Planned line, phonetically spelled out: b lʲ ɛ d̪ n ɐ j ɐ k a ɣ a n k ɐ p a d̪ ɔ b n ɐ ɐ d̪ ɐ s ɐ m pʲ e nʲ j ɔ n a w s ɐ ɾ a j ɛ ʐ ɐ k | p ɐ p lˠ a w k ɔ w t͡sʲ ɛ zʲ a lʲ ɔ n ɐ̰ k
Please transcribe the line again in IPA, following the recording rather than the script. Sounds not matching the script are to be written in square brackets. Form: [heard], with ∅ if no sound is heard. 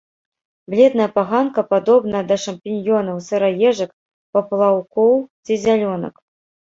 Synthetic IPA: b lʲ ɛ d̪ n ɐ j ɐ [p] a ɣ a n k ɐ p a d̪ ɔ b n ɐ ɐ d̪ ɐ [ʂ] ɐ m pʲ [i] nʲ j ɔ n [ɐ] w s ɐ ɾ a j ɛ ʐ ɐ k | p ɐ p lˠ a w k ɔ w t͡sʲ [i] zʲ a lʲ ɔ n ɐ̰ k

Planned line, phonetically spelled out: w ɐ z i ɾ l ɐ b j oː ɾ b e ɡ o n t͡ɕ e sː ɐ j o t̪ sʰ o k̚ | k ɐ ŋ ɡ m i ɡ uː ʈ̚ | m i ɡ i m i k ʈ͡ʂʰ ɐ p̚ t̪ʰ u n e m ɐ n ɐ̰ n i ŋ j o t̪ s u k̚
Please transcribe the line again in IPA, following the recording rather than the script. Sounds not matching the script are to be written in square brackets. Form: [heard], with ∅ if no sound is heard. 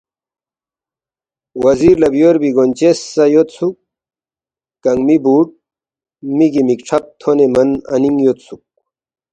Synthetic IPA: w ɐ z i ɾ l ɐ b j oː ɾ b [i] ɡ o n t͡ɕ e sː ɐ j o t̪ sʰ [u] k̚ | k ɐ ŋ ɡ m i [b] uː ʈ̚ | m i ɡ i m i k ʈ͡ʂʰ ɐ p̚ t̪ʰ [o] n e m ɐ n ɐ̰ n i ŋ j o t̪ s u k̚

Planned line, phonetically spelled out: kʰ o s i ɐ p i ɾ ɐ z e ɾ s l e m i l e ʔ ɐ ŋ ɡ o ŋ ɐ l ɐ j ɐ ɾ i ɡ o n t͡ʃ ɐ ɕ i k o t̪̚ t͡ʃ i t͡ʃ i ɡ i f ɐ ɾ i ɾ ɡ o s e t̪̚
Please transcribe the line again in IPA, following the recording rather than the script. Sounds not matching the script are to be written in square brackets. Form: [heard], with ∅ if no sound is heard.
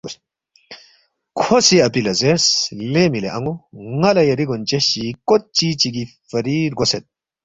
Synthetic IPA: kʰ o s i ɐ p i [l] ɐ z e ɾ s l e m i l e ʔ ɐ ŋ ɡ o ŋ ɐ l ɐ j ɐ ɾ i ɡ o n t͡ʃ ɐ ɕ i k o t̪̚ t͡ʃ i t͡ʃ i ɡ i f ɐ ɾ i ɾ ɡ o s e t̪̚

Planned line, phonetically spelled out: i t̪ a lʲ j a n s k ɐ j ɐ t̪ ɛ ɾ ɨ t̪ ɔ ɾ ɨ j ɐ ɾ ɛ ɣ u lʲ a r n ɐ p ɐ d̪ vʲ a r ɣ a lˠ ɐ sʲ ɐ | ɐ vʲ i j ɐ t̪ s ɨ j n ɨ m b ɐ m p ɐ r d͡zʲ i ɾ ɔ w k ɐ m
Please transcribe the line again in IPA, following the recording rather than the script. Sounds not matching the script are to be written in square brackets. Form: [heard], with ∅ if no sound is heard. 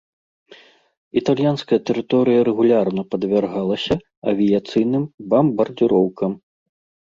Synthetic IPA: i t̪ a lʲ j a n s k ɐ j ɐ t̪ ɛ ɾ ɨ t̪ ɔ ɾ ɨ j ɐ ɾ ɛ ɣ u lʲ a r n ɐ p ɐ d̪ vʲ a r ɣ a lˠ ɐ sʲ ɐ | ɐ vʲ i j [a] t̪ s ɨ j n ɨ m b ɐ m [b] ɐ r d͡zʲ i ɾ ɔ w k ɐ m

